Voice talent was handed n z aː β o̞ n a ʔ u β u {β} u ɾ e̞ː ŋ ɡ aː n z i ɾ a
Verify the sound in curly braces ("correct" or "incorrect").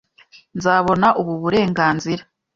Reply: correct